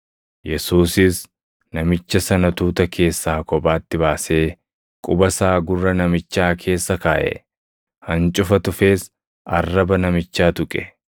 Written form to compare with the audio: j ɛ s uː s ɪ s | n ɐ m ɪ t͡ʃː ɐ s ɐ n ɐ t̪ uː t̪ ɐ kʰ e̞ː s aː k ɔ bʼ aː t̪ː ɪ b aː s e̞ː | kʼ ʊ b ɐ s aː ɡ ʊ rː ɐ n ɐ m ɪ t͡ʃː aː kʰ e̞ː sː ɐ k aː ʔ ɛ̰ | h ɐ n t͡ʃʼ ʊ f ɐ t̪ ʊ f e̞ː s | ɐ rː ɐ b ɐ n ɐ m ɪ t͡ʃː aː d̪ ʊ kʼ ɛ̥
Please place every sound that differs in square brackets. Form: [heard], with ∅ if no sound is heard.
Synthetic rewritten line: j ɛ s uː s ɪ s | n ɐ m ɪ t͡ʃː ɐ s ɐ n ɐ t̪ uː t̪ ɐ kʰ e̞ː [sː] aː k ɔ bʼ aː t̪ː ɪ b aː s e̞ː | kʼ ʊ b ɐ s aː ɡ ʊ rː ɐ n ɐ m ɪ t͡ʃː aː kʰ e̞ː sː ɐ k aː ʔ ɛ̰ | h ɐ n t͡ʃʼ ʊ f ɐ t̪ ʊ f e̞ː s | ɐ rː ɐ b ɐ n ɐ m ɪ t͡ʃː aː [t̪] ʊ kʼ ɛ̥